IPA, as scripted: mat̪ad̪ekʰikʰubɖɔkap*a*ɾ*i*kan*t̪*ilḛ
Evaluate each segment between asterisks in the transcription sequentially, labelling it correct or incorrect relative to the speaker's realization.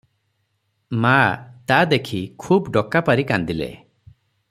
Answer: correct, correct, incorrect

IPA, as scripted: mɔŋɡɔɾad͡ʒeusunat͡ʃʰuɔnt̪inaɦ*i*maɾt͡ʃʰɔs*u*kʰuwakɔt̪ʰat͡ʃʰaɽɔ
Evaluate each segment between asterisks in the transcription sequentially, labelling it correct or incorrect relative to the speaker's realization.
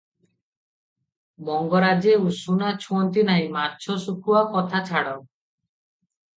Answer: incorrect, correct

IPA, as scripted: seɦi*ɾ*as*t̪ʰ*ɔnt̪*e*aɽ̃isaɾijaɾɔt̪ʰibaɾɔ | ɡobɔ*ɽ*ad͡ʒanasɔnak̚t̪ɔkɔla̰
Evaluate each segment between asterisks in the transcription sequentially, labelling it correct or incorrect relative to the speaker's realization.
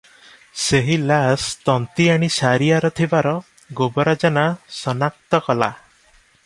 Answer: incorrect, incorrect, incorrect, incorrect

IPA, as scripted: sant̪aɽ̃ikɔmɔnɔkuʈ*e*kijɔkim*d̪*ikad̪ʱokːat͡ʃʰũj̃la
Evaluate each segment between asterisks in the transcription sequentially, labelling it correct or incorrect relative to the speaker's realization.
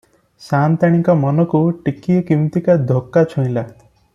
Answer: incorrect, incorrect

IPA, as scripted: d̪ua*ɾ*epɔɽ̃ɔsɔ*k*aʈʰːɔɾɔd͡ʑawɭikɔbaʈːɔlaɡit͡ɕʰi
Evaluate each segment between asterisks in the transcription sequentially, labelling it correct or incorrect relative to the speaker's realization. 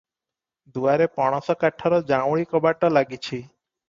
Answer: correct, correct

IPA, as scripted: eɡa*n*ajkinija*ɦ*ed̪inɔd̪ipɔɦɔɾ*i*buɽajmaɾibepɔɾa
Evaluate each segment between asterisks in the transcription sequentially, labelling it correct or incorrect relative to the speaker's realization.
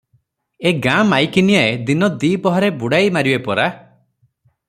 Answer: incorrect, incorrect, incorrect

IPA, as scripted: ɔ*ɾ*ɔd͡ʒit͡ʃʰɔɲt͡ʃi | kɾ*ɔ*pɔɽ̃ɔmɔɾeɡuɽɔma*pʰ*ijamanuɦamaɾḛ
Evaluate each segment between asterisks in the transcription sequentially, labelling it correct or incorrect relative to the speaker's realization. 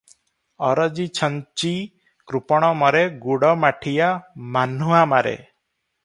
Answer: correct, incorrect, incorrect

